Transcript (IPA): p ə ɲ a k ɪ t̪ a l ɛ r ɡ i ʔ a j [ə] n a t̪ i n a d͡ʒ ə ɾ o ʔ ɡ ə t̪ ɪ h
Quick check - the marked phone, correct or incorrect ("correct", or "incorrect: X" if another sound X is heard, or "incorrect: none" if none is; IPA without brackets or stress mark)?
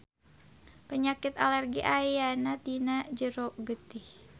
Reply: incorrect: a